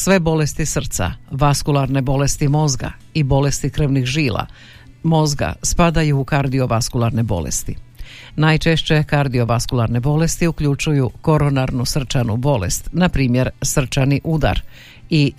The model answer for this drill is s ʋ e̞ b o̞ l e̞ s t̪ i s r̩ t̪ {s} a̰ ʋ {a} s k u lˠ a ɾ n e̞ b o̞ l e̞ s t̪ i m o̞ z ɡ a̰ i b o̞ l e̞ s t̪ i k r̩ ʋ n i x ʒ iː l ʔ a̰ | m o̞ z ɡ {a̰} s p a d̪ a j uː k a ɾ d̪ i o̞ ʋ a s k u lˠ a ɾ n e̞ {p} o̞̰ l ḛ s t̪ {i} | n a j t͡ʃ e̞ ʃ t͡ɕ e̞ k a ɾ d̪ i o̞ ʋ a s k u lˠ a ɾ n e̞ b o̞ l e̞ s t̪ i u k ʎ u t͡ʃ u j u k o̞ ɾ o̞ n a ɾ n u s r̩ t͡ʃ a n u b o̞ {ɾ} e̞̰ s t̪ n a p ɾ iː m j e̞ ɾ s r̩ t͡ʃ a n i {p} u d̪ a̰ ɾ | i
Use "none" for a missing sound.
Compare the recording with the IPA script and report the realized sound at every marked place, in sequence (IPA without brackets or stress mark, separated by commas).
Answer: s, a, a̰, b, i, l, ʔ